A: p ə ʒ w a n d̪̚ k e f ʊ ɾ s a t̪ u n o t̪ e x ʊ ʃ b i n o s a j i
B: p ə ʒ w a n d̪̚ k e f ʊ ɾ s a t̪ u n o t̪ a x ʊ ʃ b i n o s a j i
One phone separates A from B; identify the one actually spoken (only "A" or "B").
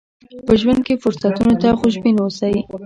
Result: B